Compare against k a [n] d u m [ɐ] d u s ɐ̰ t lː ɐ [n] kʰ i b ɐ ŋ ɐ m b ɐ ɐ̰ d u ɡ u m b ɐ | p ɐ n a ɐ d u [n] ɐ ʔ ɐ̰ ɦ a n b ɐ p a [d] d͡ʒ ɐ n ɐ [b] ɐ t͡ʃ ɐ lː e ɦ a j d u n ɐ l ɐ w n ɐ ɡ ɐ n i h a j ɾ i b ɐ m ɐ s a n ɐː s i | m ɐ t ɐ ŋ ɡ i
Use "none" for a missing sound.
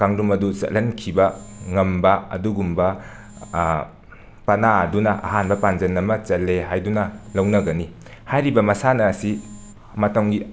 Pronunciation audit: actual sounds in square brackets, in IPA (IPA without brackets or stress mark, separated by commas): ŋ, ɐ, n, n, n, m